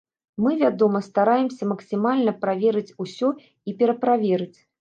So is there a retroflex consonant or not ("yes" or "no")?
no